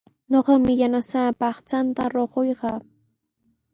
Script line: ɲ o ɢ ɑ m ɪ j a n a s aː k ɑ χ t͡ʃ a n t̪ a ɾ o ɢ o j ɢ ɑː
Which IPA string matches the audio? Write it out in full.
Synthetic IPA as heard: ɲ o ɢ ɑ m ɪ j a n a s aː p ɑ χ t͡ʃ a n t̪ a ɾ o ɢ o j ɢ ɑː

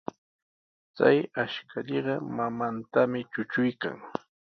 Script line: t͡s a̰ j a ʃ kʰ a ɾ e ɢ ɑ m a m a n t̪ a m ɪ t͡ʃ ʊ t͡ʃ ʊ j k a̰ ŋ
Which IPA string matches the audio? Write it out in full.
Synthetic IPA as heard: t͡s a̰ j a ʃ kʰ a ʎ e ɢ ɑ m a m a n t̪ a m ɪ t͡ʃ ʊ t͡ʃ ʊ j k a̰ ŋ

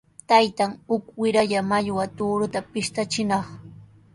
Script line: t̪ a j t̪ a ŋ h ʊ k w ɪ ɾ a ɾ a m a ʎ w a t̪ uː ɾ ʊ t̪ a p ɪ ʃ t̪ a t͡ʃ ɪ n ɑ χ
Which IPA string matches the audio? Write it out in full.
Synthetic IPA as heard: t̪ a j t̪ a ŋ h ʊ k w ɪ ɾ a ʎ a m a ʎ w a t̪ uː ɾ ʊ t̪ a p ɪ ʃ t̪ a t͡ʃ ɪ n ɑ χ

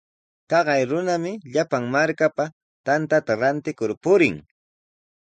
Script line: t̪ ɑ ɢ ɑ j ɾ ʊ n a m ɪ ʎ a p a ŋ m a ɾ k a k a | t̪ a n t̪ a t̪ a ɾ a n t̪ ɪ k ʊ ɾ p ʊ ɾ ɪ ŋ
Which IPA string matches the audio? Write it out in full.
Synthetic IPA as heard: t̪ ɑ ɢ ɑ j ɾ ʊ n a m ɪ ʎ a p a ŋ m a ɾ k a p a | t̪ a n t̪ a t̪ a ɾ a n t̪ ɪ k ʊ ɾ p ʊ ɾ ɪ ŋ

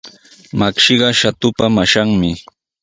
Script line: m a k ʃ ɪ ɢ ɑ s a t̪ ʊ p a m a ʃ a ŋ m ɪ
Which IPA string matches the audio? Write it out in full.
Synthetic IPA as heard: m a k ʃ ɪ ɢ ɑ ʃ a t̪ ʊ p a m a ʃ a ŋ m ɪ

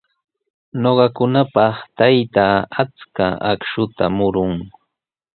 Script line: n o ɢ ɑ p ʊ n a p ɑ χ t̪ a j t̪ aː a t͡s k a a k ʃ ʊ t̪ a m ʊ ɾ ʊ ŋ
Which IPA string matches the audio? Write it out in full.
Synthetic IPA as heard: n o ɢ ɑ k ʊ n a p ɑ χ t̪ a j t̪ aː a t͡s k a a k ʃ ʊ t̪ a m ʊ ɾ ʊ ŋ

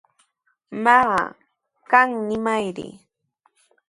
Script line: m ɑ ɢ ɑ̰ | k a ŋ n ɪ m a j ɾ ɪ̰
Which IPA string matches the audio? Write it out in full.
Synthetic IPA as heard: m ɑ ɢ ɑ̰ | k a ŋ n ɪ m a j ɾ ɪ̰

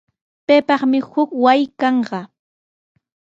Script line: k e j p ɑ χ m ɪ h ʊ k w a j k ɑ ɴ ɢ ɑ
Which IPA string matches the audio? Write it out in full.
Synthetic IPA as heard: p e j p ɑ χ m ɪ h ʊ k w a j k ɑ ɴ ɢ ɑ

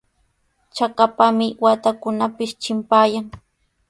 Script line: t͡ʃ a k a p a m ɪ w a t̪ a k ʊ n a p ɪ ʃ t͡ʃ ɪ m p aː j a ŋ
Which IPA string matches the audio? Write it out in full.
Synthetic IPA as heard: t͡ʃ a k a p a m ɪ w a t̪ a k ʊ n a p ɪ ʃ t͡ʃ ɪ m p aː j a ŋ

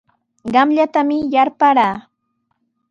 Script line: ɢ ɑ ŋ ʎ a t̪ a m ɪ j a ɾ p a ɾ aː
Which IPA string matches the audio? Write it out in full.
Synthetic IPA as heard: ɢ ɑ m ʎ a t̪ a m ɪ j a ɾ p a ɾ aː

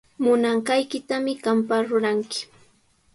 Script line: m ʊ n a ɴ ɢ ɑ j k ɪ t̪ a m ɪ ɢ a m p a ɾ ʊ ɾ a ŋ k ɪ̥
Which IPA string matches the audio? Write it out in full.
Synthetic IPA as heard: m ʊ n a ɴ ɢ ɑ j k ɪ t̪ a m ɪ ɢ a m p a ɾ ʊ ɾ a ŋ k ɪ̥

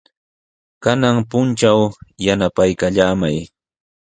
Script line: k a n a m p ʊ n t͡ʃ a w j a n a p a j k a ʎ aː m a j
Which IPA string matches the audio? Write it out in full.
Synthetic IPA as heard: k a n a ŋ p ʊ n t͡ʃ a w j a n a p a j k a ʎ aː m a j

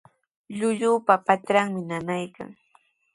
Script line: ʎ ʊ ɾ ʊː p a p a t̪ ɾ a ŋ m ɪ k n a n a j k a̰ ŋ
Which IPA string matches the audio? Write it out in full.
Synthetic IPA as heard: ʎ ʊ ʎ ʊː p a p a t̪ ɾ a ŋ m ɪ n a n a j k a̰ ŋ

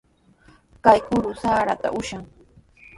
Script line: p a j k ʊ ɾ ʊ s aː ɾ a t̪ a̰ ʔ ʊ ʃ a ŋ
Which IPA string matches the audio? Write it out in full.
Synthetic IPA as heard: k a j k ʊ ɾ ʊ s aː ɾ a t̪ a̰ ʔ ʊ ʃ a ŋ

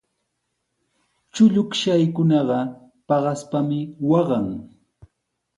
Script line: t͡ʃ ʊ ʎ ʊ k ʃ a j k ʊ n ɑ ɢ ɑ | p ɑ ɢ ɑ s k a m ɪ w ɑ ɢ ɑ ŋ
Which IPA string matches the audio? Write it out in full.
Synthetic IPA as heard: t͡ʃ ʊ ʎ ʊ k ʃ a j k ʊ n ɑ ɢ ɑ | p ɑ ɢ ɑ s p a m ɪ w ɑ ɢ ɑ ŋ

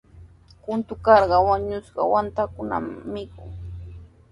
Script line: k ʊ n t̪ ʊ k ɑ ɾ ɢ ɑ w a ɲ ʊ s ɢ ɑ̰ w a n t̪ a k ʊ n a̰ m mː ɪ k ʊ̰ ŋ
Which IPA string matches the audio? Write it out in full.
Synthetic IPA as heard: k ʊ n t̪ ʊ k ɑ ɾ ɢ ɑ w a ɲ ʊ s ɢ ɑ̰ w a n t̪ a k ʊ n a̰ m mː ɪ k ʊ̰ ŋ

